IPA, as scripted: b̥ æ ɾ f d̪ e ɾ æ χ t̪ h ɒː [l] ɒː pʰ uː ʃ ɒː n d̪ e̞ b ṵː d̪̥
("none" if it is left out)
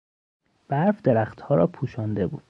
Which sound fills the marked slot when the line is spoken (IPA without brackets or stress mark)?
ɾ